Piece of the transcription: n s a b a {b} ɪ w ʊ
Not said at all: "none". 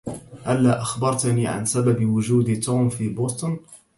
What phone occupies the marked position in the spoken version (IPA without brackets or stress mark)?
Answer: b